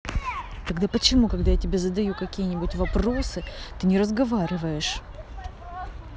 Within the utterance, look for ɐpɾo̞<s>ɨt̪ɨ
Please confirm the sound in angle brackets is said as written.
yes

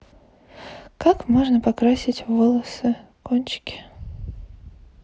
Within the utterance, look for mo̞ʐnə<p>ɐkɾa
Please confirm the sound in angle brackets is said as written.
yes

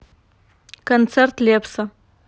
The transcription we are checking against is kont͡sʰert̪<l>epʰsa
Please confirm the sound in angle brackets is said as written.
yes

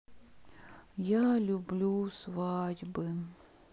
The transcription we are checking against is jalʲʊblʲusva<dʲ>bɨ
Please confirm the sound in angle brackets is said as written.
yes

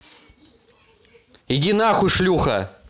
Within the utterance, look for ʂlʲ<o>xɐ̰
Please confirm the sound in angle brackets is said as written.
no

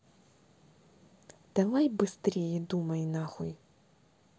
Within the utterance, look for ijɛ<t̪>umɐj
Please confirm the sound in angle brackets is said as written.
no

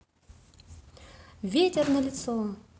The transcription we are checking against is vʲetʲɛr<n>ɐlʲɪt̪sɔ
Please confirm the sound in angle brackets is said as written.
yes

